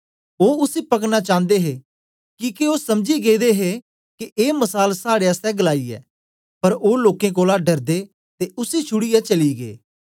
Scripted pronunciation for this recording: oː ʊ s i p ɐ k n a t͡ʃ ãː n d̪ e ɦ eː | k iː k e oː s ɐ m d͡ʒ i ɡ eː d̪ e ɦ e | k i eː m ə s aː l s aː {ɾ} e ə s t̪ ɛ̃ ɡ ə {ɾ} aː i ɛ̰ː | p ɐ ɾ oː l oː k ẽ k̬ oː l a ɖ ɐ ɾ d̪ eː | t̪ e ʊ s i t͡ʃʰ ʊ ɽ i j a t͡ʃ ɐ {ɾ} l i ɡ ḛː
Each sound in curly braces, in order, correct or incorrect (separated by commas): incorrect, incorrect, incorrect